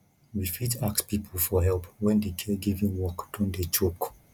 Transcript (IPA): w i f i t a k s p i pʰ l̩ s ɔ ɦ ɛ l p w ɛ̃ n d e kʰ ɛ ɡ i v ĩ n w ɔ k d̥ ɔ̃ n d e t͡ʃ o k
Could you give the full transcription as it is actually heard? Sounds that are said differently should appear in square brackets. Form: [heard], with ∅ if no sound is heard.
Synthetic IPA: w i f i t a k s p i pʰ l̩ [f] ɔ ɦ ɛ l p w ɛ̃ n d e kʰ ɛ ɡ i v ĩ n w ɔ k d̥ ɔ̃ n d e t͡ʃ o k